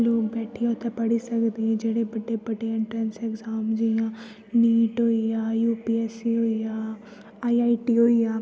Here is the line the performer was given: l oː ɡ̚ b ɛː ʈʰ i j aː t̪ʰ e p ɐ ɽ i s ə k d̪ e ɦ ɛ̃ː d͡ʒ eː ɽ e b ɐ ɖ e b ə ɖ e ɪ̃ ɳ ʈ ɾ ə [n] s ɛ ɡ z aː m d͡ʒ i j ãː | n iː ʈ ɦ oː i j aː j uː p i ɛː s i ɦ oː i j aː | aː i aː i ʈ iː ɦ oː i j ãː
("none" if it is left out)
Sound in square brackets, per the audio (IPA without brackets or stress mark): n